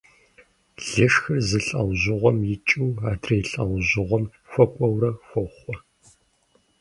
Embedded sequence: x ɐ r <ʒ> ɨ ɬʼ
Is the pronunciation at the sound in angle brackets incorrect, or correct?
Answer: incorrect